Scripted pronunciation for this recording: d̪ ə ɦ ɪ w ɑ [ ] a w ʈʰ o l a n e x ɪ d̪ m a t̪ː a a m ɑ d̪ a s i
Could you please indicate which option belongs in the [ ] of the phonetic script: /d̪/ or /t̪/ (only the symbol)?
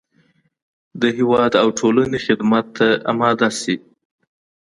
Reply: d̪